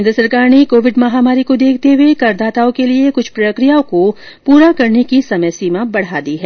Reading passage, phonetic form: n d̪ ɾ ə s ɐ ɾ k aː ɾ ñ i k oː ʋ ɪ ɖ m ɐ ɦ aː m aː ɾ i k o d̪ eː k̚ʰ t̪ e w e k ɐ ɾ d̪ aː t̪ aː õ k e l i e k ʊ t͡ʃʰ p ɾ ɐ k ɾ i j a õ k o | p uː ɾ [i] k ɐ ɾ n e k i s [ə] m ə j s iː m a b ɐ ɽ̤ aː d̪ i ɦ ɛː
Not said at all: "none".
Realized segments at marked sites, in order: a, ɐ

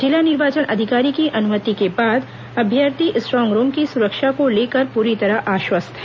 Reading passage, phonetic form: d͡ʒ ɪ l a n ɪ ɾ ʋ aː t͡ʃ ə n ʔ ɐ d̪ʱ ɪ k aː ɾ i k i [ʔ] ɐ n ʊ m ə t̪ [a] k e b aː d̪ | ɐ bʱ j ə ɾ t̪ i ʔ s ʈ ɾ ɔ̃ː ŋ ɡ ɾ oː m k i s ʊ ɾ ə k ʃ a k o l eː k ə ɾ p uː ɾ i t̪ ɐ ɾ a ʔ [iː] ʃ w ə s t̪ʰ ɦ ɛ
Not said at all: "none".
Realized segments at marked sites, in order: ʔ, i, aː

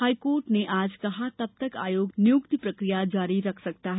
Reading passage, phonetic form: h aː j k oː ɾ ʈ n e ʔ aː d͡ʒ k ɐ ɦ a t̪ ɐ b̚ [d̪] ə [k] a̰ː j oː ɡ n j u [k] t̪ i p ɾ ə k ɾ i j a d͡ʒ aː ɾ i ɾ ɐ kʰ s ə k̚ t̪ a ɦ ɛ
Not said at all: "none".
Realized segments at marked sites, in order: t̪, k, k

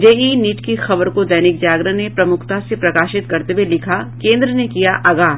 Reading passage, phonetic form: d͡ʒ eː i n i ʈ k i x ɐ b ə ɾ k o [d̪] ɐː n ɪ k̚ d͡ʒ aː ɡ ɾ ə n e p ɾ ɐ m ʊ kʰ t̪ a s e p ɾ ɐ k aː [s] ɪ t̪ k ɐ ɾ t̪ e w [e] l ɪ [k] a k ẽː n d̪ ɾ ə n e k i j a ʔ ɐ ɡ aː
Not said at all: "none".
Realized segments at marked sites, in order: d̪, ʃ, e, kʰ

